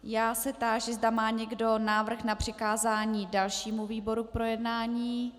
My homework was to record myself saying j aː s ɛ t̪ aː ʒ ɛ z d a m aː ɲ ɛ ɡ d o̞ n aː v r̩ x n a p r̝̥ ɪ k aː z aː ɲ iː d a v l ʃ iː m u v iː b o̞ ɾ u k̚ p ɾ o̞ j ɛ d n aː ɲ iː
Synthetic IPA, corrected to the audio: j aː s ɛ t̪ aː ʒ ɛ z d a m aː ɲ ɛ ɡ d o̞ n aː v r̩ x n a p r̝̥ ɪ k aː z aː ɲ iː d a l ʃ iː m u v iː b o̞ ɾ u k̚ p ɾ o̞ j ɛ d n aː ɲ iː